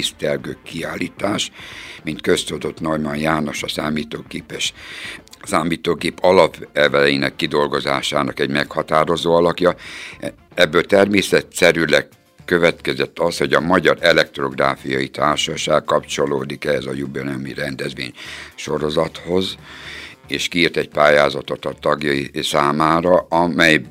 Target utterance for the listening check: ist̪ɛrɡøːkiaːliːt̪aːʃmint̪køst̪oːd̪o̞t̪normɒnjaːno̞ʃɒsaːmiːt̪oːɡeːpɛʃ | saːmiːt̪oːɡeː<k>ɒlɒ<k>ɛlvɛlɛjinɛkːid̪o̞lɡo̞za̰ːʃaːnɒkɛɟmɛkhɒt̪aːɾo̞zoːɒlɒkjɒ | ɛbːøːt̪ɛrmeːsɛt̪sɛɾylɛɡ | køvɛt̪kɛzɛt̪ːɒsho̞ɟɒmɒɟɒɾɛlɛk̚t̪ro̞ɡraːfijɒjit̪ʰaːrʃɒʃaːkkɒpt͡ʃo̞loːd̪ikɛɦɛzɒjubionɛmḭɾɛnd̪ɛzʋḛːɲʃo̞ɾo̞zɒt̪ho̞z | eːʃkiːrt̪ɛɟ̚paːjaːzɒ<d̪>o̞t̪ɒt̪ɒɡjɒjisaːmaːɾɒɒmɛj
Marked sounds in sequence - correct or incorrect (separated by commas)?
incorrect, incorrect, incorrect